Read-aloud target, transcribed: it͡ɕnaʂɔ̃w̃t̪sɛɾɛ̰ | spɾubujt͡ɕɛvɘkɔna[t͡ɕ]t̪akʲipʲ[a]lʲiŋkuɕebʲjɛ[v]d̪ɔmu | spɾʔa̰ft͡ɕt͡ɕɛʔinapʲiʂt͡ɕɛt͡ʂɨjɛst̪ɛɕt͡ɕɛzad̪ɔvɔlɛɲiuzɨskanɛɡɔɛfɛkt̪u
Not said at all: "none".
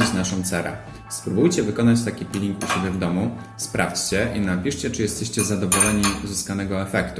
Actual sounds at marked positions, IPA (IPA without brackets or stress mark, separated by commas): t͡ɕ, i, v